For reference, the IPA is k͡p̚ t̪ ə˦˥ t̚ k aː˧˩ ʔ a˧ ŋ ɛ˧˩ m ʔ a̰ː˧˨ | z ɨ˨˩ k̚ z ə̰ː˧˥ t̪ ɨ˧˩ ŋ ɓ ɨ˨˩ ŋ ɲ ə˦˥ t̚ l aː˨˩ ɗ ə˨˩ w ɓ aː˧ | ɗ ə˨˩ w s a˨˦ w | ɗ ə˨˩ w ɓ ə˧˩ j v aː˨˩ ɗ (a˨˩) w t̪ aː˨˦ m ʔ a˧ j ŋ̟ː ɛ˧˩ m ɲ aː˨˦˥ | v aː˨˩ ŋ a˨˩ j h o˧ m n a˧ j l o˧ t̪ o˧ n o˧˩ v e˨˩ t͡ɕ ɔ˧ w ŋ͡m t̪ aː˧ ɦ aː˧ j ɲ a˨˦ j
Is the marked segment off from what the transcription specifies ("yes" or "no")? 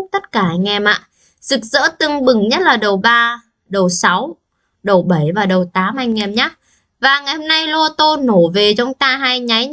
yes